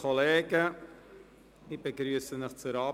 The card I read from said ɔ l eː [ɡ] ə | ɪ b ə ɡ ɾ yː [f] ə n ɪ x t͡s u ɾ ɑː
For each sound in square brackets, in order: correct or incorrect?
correct, incorrect: s

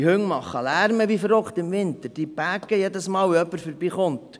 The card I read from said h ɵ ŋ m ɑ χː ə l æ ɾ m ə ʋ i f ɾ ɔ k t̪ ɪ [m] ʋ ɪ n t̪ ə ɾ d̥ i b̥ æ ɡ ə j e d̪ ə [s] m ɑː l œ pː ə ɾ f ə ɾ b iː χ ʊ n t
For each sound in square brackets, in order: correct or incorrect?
correct, correct

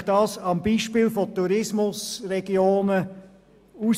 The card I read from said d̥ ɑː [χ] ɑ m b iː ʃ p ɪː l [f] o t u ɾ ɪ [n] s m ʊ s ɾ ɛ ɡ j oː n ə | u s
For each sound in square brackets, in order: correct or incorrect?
incorrect: s, correct, incorrect: none

